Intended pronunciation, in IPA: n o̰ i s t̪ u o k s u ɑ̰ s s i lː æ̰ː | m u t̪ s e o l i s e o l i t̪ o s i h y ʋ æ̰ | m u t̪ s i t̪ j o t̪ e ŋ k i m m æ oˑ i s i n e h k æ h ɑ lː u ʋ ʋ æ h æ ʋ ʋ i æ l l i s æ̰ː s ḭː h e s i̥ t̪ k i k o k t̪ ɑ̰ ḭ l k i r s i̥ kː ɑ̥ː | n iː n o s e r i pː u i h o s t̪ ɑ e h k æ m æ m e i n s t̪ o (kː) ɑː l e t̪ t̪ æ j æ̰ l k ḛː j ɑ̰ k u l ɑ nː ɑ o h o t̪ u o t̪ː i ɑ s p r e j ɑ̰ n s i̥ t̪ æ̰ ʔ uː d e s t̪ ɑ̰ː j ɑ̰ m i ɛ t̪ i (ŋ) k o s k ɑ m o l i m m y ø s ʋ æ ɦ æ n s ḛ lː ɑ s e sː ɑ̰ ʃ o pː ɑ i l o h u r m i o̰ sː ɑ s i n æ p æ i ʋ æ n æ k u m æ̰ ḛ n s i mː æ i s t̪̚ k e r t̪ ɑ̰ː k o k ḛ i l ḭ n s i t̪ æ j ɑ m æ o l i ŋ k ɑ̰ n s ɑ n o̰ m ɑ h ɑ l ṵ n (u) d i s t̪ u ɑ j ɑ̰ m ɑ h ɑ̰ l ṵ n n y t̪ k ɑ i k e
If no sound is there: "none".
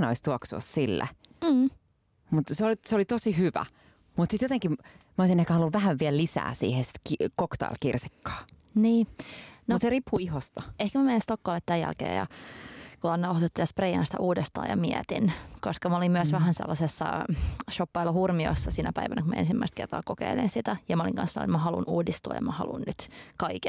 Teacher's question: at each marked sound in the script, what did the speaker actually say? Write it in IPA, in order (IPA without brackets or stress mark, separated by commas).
kː, n, uː